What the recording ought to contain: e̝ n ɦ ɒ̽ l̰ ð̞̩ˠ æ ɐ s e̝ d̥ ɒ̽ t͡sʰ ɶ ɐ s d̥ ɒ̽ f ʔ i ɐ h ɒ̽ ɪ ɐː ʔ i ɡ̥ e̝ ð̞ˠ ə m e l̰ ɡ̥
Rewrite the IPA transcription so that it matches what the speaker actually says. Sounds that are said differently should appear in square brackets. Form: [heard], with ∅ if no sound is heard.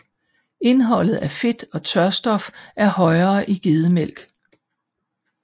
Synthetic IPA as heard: e̝ n ɦ ɒ̽ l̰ ð̞̩ˠ æ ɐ [f] e̝ d̥ ɒ̽ t͡sʰ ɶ ɐ s d̥ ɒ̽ f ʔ [æ] ɐ h ɒ̽ ɪ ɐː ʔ i ɡ̥ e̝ ð̞ˠ ə m e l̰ ɡ̥